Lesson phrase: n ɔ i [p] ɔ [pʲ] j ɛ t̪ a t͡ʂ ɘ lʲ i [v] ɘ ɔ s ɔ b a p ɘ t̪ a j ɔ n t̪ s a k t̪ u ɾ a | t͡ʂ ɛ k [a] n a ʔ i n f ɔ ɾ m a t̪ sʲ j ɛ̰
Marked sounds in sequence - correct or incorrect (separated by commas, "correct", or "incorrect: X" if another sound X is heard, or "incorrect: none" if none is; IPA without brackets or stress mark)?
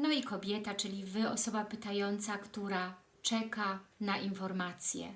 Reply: incorrect: k, incorrect: bʲ, correct, correct